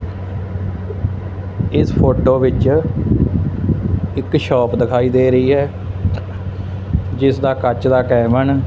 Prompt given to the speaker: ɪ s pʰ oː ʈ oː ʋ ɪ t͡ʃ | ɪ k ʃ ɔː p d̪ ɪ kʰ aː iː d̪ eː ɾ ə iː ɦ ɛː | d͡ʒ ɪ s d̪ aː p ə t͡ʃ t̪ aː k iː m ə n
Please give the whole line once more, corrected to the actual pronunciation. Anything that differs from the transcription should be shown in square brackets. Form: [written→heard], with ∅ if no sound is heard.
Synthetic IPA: ɪ s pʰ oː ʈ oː ʋ ɪ t͡ʃ | ɪ k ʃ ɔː p d̪ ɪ kʰ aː iː d̪ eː ɾ ə iː ɦ ɛː | d͡ʒ ɪ s d̪ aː [p→k] ə t͡ʃ [t̪→d̪] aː k [iː→ɛː] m ə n